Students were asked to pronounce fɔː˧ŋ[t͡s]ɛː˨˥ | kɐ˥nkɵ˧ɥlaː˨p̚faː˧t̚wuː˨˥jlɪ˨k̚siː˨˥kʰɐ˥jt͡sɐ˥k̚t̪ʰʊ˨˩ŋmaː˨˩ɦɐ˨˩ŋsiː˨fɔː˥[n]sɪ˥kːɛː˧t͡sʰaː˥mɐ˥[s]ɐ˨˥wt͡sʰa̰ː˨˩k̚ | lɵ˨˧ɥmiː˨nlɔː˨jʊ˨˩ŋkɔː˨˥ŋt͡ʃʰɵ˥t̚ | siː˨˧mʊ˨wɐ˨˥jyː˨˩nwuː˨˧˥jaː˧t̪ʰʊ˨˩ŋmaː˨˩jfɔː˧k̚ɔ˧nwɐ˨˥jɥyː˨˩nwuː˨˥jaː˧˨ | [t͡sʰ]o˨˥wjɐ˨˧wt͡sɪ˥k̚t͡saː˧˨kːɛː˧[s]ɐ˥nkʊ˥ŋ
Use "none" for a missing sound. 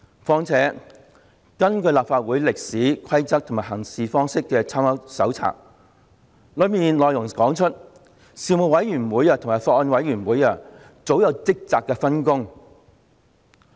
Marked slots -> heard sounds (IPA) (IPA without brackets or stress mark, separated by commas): t͡sʰ, ŋ, s, t͡s, f